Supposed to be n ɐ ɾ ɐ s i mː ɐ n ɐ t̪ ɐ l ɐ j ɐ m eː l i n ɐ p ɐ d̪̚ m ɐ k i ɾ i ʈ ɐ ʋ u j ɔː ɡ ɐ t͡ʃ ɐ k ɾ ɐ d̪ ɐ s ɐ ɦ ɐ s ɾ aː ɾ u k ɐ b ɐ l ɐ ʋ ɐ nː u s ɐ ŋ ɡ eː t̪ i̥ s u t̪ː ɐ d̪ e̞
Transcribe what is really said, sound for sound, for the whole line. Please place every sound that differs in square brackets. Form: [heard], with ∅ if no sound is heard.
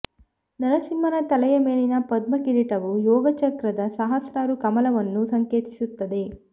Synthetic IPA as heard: n ɐ ɾ ɐ s i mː ɐ n ɐ t̪ ɐ l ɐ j ɐ m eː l i n ɐ p ɐ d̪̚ m ɐ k i ɾ i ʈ ɐ ʋ u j ɔː ɡ ɐ t͡ʃ ɐ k ɾ ɐ d̪ ɐ s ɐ ɦ ɐ s ɾ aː ɾ u k ɐ [m] ɐ l ɐ ʋ ɐ nː u s ɐ ŋ [k] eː t̪ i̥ s u t̪ː ɐ d̪ e̞